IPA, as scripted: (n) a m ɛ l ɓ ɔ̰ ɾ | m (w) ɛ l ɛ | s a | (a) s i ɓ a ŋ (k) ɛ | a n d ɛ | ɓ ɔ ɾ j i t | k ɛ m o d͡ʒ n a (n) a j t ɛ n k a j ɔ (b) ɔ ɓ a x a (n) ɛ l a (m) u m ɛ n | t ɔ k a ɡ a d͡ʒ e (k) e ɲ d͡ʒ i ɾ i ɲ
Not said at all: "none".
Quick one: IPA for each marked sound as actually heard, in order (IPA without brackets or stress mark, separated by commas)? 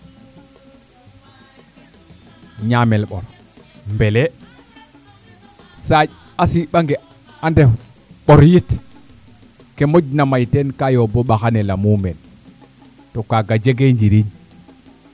ɲ, b, a, ɡ, m, b, n, m, ɡ